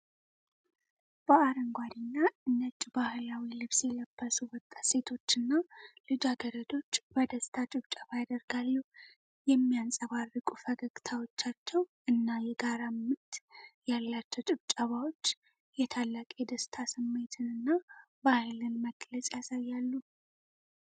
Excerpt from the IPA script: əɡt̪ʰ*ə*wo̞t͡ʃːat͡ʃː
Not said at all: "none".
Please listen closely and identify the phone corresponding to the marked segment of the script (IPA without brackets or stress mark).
a